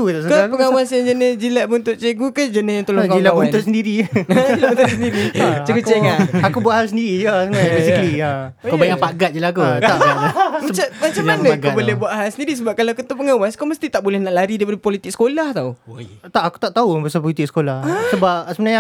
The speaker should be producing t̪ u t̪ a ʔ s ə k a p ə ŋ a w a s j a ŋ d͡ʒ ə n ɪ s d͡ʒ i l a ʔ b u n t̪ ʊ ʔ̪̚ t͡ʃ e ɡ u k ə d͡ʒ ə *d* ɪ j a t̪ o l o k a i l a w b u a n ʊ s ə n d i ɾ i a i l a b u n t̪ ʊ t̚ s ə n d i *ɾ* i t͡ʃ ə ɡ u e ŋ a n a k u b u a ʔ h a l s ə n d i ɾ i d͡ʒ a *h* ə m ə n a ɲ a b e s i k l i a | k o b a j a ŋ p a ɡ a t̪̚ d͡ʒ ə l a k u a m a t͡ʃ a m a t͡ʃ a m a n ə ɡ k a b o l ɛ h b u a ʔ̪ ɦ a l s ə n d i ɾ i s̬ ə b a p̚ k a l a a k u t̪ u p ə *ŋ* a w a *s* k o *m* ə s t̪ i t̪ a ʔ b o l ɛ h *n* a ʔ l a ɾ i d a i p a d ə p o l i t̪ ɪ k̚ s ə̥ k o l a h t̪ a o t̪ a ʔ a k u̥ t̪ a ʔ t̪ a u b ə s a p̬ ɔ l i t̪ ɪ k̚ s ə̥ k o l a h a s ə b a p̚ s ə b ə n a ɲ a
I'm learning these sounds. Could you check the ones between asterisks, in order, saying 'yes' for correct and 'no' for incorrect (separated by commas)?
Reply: no, yes, no, yes, yes, yes, yes